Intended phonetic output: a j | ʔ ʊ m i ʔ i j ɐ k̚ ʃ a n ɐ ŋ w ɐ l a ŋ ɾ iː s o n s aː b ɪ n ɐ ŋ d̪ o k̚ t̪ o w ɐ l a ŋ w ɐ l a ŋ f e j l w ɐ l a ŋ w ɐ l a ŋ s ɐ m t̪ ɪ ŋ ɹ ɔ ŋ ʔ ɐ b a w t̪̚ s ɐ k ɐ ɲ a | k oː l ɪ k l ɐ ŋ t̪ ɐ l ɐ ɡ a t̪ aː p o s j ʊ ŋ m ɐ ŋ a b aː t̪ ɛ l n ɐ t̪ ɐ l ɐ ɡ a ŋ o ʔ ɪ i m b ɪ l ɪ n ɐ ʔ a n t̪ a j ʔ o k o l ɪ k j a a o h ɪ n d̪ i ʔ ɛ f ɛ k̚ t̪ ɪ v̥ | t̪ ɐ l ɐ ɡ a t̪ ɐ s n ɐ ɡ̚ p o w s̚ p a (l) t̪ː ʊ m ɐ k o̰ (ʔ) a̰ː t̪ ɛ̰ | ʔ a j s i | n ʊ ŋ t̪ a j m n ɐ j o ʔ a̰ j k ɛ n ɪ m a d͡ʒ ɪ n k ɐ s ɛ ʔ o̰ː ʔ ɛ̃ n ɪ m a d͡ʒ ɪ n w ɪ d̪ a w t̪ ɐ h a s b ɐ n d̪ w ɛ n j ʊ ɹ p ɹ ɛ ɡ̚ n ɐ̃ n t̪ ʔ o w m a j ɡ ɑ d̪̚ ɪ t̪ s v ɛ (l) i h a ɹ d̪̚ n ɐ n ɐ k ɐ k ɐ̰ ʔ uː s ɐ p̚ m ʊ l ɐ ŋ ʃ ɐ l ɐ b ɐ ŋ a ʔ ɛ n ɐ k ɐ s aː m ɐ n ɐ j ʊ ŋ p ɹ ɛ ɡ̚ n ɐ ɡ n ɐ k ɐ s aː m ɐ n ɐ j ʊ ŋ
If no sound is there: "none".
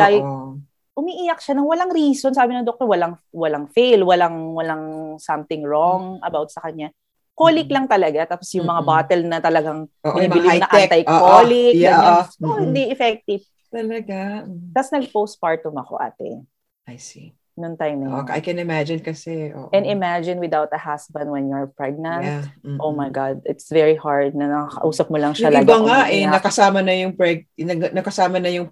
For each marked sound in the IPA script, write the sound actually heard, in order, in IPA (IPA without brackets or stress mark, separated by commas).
ɹ, ʔ, ɹ